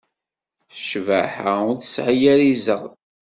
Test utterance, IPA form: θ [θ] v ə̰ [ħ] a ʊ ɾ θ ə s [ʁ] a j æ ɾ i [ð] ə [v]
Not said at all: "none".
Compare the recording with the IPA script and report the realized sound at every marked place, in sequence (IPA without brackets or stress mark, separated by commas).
ʃ, ħ, ʕ, z, ʁ